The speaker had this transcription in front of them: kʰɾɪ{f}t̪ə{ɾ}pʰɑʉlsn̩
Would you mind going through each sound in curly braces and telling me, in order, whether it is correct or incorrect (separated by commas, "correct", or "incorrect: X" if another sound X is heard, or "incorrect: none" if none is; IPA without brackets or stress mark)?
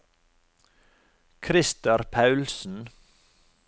incorrect: s, correct